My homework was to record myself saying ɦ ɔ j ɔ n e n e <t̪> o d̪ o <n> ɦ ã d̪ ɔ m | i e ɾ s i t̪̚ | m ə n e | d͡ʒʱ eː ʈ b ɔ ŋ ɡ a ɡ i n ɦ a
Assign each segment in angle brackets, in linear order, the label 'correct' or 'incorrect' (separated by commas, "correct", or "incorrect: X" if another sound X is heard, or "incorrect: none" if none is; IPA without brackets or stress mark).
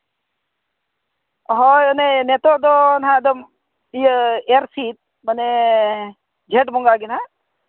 correct, correct